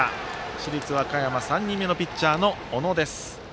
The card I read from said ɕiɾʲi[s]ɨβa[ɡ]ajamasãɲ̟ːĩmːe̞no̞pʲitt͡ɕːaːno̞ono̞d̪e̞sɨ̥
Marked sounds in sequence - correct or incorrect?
incorrect, incorrect

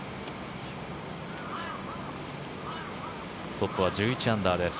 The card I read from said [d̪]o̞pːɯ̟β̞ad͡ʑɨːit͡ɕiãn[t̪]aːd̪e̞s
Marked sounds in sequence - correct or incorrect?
incorrect, incorrect

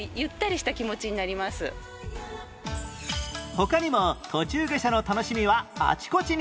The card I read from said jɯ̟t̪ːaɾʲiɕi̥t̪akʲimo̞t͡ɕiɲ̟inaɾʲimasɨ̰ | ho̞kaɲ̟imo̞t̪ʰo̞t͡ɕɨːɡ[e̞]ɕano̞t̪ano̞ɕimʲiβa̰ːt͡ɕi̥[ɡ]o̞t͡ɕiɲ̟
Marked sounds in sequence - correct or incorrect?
correct, incorrect

